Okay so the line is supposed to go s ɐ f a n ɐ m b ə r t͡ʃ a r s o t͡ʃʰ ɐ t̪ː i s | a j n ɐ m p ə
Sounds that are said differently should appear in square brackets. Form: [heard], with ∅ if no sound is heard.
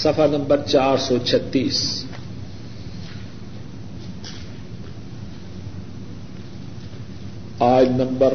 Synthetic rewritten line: s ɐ f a n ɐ m b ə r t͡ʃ a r s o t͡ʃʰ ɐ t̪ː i s | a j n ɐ m [b] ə